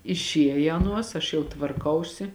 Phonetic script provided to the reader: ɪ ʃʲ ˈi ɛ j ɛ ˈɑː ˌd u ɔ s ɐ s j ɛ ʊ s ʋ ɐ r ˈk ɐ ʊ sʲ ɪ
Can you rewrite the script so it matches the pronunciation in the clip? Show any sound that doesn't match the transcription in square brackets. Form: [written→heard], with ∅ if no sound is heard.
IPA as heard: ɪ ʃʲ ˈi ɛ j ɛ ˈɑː [ˌd→ˌn] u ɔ s ɐ [s→ʃ] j ɛ ʊ [s→t] ʋ ɐ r ˈk ɐ ʊ sʲ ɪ